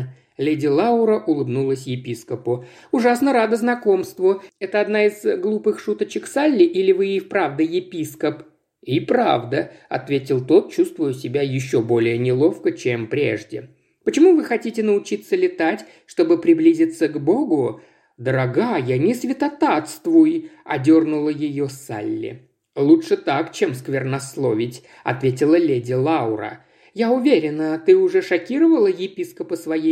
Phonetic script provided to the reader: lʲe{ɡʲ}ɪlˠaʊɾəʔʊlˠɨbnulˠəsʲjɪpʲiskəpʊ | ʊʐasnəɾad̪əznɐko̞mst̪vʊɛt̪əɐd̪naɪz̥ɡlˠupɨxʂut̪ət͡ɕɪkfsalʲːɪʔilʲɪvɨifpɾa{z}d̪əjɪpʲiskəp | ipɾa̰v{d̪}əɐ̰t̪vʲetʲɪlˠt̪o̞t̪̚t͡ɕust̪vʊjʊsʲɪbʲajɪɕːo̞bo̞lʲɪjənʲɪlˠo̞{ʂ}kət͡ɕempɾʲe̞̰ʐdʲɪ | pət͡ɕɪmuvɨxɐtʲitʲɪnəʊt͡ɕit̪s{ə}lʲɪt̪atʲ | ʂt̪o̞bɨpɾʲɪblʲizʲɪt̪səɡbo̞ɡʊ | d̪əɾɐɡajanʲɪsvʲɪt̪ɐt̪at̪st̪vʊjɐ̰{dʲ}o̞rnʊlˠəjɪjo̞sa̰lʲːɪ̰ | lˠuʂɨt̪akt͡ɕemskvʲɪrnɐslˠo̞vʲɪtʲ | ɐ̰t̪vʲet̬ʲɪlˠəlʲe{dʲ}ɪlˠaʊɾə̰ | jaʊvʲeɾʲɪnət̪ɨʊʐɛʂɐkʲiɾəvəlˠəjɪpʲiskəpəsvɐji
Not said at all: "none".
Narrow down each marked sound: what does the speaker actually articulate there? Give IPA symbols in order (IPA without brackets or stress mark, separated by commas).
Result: dʲ, v, d̪, f, ə, dʲ, dʲ